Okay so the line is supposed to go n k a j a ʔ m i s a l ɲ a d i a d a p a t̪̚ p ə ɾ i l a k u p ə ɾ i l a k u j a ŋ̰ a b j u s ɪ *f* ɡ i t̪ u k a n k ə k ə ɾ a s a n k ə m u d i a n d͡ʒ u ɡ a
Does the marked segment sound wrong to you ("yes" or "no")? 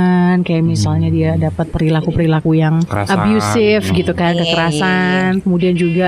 no